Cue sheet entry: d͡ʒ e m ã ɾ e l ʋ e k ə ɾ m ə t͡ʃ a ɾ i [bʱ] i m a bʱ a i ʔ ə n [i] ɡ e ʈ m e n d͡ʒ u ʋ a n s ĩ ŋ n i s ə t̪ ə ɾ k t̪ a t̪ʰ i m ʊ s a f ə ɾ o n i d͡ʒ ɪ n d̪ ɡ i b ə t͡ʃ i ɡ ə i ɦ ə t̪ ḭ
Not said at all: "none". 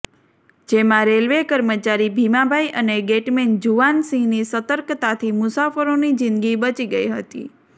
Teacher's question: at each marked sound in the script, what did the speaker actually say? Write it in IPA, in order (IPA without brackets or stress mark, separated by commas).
bʱ, e